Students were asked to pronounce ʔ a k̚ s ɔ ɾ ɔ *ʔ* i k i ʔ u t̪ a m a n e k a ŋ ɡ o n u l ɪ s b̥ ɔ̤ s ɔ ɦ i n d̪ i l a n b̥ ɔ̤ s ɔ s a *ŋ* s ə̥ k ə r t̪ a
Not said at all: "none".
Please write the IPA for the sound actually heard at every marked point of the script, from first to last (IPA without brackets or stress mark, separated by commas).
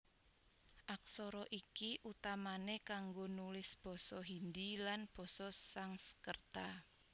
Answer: ʔ, ŋ